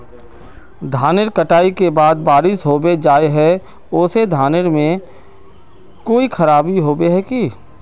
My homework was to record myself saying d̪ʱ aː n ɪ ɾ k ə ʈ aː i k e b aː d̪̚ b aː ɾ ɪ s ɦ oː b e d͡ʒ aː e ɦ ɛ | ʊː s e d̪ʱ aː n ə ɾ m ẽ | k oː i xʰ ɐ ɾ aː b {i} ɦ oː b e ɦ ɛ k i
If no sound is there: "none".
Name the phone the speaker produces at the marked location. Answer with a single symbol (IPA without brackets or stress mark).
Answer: i